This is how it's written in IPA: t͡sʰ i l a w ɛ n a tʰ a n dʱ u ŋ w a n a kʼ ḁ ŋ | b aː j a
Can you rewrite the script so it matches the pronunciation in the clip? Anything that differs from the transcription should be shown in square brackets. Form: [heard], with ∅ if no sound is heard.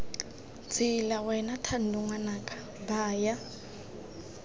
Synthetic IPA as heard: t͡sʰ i l a w ɛ n a tʰ a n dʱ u ŋ w a n a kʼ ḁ [∅] | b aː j a

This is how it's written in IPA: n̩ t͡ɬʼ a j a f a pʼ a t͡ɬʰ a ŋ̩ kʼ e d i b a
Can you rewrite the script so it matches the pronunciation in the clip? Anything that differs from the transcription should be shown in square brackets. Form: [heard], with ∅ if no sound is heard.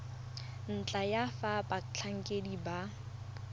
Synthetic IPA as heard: n̩ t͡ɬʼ a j a f a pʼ a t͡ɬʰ a ŋ̩ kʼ e d i b a

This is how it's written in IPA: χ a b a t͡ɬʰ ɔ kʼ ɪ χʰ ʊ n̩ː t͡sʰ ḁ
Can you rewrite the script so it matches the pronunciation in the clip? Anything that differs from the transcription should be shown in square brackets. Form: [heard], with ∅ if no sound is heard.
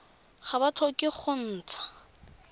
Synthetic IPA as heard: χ a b a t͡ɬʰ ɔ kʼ ɪ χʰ ʊ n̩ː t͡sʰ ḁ

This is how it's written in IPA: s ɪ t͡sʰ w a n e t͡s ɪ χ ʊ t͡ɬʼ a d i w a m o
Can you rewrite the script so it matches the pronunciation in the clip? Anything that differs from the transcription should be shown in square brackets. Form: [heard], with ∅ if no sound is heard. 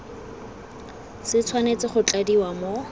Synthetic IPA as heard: s ɪ t͡sʰ w a n e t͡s ɪ χ ʊ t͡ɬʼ a d i w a m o

